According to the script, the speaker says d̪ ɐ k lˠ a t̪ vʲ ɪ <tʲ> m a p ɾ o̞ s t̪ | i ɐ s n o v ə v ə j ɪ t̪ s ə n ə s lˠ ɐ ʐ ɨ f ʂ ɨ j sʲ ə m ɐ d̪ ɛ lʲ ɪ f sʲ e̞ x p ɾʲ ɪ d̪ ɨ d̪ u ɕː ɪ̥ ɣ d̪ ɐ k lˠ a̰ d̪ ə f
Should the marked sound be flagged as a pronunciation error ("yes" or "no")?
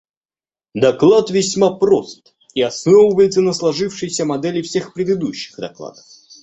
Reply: yes